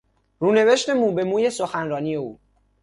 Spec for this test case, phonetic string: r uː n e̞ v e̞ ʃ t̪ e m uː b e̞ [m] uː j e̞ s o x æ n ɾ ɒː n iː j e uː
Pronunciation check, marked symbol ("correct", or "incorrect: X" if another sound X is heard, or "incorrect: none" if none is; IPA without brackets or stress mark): correct